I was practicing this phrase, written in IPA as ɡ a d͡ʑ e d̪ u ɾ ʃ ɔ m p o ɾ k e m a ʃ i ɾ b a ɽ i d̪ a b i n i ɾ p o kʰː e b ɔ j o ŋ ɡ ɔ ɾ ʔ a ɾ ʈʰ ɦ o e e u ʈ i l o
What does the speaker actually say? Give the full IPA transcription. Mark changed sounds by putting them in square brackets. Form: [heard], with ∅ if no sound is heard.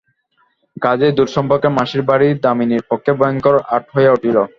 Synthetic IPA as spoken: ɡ a d͡ʑ e d̪ u ɾ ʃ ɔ m p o ɾ k e m a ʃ i ɾ b a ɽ i d̪ a [m] i n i ɾ p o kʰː e b ɔ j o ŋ [k] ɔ ɾ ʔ a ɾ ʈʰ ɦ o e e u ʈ i l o

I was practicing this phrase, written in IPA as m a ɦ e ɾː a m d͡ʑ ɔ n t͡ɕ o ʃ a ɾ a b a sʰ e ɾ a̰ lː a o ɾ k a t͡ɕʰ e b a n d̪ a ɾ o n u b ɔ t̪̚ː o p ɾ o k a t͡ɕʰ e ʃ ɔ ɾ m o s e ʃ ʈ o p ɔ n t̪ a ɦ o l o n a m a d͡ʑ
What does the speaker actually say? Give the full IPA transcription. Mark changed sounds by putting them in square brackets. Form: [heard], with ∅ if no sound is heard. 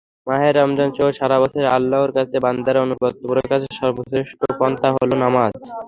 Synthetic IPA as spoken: m a ɦ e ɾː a m d͡ʑ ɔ n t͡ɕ o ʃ a ɾ a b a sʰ e ɾ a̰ lː a o ɾ k a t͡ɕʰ e b a n d̪ a ɾ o n u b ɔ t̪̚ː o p ɾ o k a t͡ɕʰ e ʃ ɔ ɾ [b] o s e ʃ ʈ o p ɔ n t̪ a ɦ o l o n a m a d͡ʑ

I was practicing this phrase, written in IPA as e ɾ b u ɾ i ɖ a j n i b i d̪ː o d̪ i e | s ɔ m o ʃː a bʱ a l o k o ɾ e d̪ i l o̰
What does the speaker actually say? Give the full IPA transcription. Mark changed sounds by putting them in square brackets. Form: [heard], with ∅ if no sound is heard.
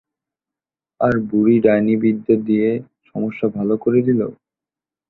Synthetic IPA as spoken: [a] ɾ b u ɾ i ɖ a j n i b i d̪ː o d̪ i e | [ʃ] ɔ m o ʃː a bʱ a l o k o ɾ e d̪ i l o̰

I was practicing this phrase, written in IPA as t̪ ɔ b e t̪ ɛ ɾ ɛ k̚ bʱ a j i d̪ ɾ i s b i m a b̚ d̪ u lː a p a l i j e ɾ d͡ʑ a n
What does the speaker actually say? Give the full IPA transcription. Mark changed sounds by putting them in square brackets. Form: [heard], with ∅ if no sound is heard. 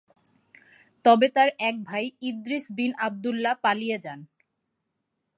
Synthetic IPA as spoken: t̪ ɔ b e t̪ [a] ɾ ɛ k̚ bʱ a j i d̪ ɾ i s b i [n] a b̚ d̪ u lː a p a l i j e [∅] d͡ʑ a n

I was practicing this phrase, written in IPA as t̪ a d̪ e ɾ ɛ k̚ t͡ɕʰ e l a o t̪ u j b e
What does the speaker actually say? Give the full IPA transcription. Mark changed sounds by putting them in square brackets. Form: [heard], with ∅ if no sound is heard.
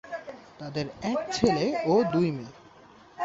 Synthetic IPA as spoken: t̪ a d̪ e ɾ ɛ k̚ t͡ɕʰ e l [e] o [d̪] u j [m] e

